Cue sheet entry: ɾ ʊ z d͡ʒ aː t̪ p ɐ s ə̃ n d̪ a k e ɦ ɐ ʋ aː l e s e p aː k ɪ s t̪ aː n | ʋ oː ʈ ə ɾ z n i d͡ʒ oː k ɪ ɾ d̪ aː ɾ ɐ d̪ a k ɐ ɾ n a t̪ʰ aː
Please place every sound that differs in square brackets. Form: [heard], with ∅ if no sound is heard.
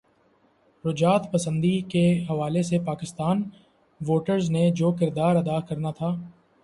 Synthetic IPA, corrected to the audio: ɾ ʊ [∅] d͡ʒ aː t̪ p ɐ s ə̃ n d̪ [i] k e ɦ ɐ ʋ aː l e s e p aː k ɪ s t̪ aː n | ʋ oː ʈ ə ɾ z n [e] d͡ʒ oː k ɪ ɾ d̪ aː ɾ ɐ d̪ a k ɐ ɾ n a t̪ʰ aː